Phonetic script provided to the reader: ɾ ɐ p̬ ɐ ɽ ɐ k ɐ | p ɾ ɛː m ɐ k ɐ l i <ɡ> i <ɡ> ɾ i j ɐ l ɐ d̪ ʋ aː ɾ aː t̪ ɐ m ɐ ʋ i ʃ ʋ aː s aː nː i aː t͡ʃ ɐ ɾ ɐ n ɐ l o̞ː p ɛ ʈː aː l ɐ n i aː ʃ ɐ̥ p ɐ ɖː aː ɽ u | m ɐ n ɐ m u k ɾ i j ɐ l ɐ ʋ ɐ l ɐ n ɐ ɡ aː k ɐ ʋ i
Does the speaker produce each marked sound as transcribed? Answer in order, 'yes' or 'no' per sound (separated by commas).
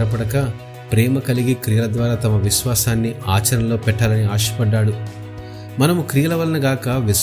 yes, no